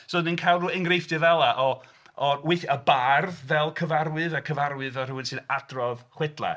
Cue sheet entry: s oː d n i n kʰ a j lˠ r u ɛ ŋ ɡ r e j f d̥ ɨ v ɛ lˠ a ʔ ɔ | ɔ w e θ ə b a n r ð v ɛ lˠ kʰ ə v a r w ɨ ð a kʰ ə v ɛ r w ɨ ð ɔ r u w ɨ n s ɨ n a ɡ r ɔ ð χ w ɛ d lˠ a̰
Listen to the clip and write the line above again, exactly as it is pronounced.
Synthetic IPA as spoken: s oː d n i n kʰ a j lˠ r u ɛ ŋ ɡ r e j f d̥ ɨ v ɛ lˠ a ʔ ɔ | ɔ w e θ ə b a r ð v ɛ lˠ kʰ ə v a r w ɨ ð a kʰ ə v a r w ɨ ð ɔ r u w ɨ n s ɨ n a d r ɔ ð χ w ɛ d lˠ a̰